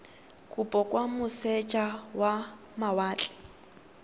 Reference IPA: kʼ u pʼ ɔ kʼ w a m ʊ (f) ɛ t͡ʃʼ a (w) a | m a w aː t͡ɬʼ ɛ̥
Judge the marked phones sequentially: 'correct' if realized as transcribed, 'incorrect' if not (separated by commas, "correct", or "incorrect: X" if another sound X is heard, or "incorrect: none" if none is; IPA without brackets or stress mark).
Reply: incorrect: s, correct